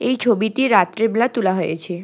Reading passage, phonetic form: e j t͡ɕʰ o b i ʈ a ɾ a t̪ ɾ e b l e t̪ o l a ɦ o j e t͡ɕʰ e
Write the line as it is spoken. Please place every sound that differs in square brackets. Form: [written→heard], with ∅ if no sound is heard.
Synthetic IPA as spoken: e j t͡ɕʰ o b i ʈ [a→i] ɾ a t̪ ɾ e b l [e→a] t̪ [o→u] l a ɦ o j e t͡ɕʰ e